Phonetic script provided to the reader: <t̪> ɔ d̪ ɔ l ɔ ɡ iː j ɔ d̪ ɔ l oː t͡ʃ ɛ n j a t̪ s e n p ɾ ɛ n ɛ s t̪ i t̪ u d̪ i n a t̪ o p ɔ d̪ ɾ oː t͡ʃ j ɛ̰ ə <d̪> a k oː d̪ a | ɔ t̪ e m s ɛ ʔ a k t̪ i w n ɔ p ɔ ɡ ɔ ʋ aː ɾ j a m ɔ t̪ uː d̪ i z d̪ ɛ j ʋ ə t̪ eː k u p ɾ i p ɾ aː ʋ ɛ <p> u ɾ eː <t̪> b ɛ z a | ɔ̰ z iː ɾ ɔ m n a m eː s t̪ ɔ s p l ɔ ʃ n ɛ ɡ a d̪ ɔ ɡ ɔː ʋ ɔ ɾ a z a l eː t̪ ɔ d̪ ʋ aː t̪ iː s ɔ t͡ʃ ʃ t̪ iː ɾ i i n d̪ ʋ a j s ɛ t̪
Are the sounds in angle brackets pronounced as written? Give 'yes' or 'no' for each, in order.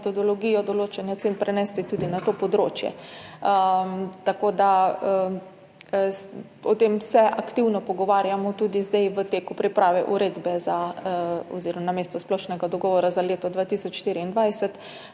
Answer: yes, no, no, no

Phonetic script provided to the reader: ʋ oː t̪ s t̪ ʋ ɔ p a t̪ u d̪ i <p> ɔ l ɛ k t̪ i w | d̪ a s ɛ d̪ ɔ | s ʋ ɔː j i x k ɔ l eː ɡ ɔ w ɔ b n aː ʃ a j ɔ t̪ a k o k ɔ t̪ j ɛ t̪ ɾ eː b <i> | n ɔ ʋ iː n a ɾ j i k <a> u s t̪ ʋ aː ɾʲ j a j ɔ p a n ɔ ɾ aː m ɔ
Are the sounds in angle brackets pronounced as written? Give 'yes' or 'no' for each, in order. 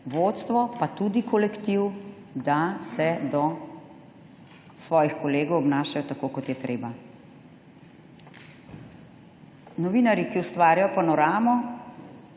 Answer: no, no, no

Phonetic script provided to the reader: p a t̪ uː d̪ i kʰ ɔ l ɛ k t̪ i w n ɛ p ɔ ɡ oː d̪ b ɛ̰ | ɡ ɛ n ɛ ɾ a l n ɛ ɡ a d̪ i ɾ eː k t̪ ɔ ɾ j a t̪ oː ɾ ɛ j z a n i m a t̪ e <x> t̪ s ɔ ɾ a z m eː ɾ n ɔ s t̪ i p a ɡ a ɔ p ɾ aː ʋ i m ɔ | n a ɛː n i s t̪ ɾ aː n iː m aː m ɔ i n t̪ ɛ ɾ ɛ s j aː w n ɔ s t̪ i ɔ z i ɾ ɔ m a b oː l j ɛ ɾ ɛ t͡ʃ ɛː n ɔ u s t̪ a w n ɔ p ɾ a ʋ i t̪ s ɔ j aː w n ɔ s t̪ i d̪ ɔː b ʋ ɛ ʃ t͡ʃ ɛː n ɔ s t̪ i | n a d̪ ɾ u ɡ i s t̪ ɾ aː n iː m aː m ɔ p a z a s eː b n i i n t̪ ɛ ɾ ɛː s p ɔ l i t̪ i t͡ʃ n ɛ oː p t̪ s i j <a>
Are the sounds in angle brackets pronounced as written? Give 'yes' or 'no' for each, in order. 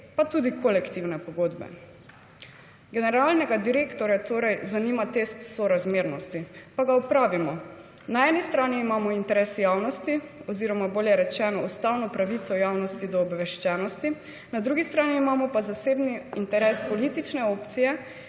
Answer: no, no

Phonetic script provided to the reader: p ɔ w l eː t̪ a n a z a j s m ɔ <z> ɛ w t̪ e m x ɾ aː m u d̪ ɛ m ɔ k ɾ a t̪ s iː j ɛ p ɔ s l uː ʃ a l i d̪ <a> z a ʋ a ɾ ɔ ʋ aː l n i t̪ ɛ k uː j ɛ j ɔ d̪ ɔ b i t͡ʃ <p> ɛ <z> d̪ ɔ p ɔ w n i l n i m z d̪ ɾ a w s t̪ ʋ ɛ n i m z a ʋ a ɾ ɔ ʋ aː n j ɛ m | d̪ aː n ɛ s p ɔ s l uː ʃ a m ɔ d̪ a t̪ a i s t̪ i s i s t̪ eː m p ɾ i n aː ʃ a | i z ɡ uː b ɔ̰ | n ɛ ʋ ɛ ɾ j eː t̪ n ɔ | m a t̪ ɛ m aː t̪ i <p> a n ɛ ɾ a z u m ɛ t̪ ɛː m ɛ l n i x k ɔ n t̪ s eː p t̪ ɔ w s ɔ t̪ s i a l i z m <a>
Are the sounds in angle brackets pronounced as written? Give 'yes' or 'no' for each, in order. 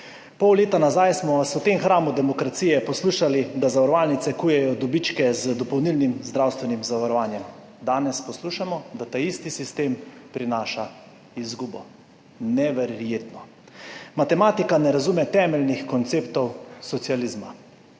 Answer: no, yes, no, yes, no, yes

